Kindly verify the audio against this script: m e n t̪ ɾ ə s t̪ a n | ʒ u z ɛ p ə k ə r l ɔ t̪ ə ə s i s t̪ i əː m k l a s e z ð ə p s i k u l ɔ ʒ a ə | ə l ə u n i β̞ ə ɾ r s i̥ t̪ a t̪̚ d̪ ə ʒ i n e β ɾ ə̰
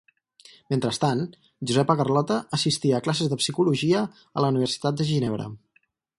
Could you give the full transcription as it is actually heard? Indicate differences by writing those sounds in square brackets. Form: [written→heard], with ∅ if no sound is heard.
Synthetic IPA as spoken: m e n t̪ ɾ ə s t̪ a n | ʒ u z ɛ p ə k ə r l ɔ t̪ ə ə s i s t̪ i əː [m→∅] k l a s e z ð ə p s i k u l [ɔ→u] ʒ [a→i] ə | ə l ə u n i β̞ ə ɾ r s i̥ t̪ a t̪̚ d̪ ə ʒ i n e β ɾ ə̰

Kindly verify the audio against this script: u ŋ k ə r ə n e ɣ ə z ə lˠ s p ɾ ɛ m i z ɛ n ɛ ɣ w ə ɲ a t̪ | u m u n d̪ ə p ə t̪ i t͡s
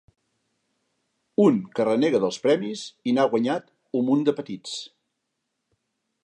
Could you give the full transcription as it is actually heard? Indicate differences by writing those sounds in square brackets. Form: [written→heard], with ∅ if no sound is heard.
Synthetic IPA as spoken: u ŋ k ə r ə n e ɣ ə [z→ð] ə lˠ s p ɾ ɛ m i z [ɛ→i] n [ɛ→a] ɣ w ə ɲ a t̪ | u m u n d̪ ə p ə t̪ i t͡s

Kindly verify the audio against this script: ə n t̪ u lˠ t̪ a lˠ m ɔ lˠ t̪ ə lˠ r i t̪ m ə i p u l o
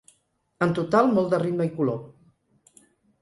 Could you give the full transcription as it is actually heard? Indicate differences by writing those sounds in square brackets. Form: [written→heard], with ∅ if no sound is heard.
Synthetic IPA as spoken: ə n t̪ u [lˠ→∅] t̪ a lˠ m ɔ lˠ [t̪→d̪] ə [lˠ→∅] r i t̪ m ə i [p→k] u l o

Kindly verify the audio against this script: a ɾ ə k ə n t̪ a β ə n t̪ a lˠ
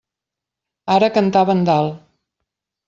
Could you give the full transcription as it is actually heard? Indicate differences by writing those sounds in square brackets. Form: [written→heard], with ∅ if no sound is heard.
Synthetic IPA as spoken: a ɾ ə k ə n t̪ a β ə n [t̪→d̪] a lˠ

